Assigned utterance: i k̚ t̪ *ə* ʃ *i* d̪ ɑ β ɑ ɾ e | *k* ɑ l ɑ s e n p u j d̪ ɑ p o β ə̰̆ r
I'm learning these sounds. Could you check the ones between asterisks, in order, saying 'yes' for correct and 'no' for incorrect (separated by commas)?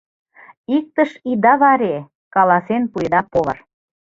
yes, yes, yes